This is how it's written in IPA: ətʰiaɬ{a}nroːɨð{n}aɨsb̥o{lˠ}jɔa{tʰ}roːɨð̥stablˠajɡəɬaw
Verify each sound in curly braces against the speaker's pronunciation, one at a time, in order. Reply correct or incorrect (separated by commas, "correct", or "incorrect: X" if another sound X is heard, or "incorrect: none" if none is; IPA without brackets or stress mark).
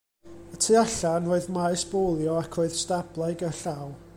correct, incorrect: m, correct, incorrect: kʰ